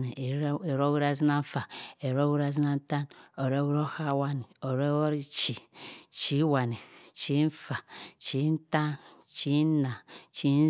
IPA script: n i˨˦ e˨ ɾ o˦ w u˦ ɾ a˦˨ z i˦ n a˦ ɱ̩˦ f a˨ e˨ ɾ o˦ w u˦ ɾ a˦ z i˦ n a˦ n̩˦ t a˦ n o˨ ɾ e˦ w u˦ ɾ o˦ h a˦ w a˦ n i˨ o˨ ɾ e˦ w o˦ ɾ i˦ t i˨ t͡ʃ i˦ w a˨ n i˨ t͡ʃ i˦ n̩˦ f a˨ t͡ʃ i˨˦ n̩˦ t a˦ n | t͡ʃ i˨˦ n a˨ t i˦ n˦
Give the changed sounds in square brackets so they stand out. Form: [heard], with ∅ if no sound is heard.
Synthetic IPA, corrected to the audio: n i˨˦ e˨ ɾ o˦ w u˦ ɾ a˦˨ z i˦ n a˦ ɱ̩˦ f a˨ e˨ ɾ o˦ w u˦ ɾ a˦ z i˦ n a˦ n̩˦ t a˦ n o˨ ɾ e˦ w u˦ ɾ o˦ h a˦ w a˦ n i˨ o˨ ɾ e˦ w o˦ ɾ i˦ [t͡ʃ] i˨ t͡ʃ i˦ w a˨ n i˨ t͡ʃ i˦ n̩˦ f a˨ t͡ʃ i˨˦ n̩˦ t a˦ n | t͡ʃ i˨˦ n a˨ [t͡ʃ] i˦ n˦